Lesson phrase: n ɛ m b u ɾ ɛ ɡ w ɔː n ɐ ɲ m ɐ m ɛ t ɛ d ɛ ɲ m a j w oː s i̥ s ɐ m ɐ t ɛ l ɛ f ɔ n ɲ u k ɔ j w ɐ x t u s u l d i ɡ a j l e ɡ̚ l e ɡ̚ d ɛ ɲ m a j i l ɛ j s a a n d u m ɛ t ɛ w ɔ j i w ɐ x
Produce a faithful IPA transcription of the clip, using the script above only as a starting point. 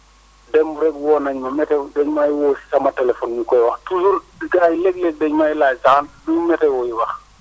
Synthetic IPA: d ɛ m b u ɾ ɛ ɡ w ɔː n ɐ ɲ m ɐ m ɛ t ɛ d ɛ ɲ m a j w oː s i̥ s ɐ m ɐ t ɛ l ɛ f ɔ n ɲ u k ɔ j w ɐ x t u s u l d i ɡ a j l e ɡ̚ l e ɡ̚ d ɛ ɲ m a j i l a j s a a n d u m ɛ t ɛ w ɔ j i w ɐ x